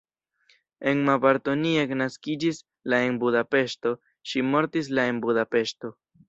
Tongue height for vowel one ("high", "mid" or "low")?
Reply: mid